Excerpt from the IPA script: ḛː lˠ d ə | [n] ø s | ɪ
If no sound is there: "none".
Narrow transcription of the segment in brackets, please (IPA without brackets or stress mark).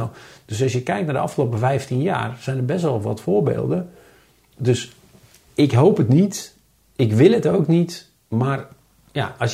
d